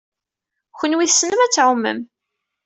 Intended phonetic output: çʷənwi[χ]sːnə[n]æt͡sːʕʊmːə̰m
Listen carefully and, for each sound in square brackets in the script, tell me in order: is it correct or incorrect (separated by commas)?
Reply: incorrect, incorrect